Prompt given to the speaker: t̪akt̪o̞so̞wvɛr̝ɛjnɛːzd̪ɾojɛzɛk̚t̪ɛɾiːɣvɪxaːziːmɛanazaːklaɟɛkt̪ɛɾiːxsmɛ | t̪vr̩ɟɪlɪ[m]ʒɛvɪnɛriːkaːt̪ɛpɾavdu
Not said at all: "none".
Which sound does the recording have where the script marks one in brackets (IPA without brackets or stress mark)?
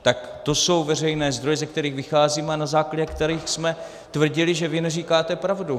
none